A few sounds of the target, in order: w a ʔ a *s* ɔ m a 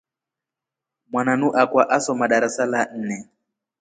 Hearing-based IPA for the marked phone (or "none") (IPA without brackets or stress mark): s